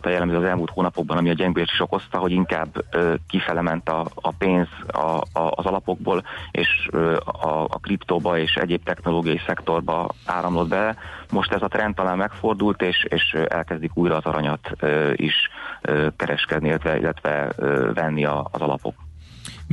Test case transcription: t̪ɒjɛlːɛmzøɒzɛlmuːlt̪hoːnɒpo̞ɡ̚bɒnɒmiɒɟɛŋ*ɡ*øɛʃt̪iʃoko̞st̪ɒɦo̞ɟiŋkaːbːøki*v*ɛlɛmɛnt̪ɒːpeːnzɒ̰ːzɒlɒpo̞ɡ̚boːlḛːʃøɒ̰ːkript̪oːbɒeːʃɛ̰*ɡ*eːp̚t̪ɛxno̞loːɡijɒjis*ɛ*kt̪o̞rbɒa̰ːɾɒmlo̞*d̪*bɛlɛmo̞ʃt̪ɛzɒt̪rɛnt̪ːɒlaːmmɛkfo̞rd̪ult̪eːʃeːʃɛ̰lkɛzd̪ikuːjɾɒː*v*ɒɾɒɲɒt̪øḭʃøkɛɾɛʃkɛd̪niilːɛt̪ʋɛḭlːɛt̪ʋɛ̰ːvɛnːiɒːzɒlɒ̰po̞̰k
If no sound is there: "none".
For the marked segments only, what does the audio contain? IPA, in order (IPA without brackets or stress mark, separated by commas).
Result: ɡ, f, ɟ, ɛ, d̪, z